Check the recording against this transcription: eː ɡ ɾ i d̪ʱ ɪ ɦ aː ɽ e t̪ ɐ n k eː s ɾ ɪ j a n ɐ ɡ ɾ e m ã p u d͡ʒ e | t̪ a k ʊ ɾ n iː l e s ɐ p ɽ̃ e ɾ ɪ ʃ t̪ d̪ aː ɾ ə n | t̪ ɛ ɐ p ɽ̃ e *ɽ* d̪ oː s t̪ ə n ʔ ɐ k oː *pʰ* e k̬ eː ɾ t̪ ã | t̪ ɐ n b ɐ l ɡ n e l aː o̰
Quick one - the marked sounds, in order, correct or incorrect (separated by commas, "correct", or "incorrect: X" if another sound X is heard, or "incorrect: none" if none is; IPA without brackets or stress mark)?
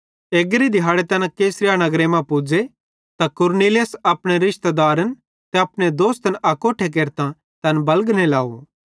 incorrect: none, incorrect: ʈʰ